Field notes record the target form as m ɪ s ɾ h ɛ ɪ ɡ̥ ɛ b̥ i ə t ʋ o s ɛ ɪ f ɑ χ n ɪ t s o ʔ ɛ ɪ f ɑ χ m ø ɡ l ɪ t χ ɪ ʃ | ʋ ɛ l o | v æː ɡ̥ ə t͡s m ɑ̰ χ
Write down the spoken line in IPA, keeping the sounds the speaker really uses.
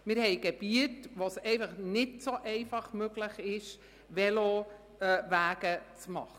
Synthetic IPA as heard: m ɪ ɾ h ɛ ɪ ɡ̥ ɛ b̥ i ə t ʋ o s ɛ ɪ f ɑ χ n ɪ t s o ʔ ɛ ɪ f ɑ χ m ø ɡ l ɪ χ ɪ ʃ | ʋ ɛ l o | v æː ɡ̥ ə t͡s m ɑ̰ χ